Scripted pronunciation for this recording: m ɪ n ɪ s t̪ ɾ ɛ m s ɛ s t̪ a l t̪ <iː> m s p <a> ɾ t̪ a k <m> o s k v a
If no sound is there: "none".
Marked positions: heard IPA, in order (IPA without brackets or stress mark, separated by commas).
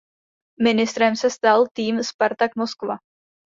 iː, a, m